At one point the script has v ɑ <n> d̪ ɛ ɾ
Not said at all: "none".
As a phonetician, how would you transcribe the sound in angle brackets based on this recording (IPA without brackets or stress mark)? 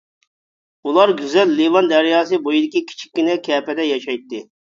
n